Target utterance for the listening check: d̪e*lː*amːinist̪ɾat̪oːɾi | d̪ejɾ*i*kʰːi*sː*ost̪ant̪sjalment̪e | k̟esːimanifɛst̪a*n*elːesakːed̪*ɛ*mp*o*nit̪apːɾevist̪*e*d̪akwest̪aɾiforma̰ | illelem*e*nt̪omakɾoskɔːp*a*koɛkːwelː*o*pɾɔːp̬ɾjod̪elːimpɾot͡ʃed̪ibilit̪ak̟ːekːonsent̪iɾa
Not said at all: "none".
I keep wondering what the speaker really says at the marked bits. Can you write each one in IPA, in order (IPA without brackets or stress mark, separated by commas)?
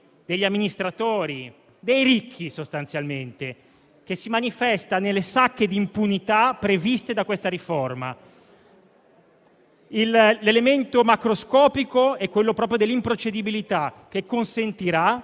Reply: ʎː, i, s, n, i, u, e, e, i, o